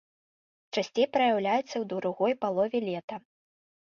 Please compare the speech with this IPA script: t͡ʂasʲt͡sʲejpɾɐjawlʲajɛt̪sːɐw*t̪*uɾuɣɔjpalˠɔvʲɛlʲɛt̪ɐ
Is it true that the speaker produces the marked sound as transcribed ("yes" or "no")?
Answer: no